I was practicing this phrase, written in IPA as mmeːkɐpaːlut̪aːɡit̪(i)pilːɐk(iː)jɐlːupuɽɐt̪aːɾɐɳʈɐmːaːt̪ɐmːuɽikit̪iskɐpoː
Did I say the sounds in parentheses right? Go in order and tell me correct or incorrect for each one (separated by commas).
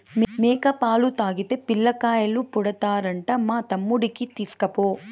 incorrect, incorrect